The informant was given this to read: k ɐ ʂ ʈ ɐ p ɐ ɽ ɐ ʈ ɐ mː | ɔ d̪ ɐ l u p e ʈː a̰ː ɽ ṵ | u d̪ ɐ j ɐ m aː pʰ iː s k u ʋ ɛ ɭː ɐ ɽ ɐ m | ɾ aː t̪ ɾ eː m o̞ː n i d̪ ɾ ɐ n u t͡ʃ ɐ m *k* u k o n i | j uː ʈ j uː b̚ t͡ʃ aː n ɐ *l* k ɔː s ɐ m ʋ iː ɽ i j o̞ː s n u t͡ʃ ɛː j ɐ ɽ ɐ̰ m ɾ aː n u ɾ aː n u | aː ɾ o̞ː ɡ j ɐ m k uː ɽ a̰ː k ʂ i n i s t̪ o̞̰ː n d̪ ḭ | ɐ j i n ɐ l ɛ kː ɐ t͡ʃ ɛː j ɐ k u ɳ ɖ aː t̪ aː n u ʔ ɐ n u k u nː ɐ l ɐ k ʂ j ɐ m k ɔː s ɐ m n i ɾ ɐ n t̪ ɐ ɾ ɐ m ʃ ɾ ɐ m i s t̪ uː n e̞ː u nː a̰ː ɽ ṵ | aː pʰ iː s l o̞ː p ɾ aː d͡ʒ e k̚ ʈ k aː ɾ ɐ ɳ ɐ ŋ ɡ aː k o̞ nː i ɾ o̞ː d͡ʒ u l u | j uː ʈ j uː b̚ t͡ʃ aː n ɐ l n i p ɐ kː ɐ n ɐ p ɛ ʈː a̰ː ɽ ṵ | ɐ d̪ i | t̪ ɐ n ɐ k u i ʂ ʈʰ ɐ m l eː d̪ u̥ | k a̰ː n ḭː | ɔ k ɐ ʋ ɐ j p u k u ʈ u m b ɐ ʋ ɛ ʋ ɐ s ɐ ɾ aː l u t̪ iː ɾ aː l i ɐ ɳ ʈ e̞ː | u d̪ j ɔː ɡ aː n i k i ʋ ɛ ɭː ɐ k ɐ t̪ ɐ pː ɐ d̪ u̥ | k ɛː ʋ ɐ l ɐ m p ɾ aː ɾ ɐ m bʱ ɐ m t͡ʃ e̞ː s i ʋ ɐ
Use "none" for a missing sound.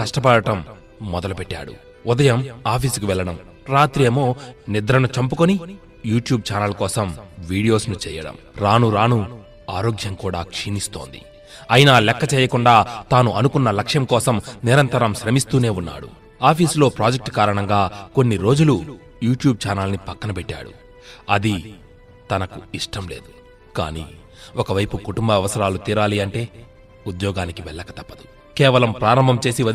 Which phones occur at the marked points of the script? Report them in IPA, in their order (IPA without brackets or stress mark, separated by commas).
p, l